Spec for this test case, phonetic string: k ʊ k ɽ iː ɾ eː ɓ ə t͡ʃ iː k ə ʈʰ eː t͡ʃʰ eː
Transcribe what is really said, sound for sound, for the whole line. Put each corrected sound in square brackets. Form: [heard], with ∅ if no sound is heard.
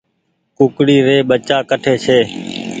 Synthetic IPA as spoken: k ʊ k ɽ iː ɾ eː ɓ ə t͡ʃ [aː] k ə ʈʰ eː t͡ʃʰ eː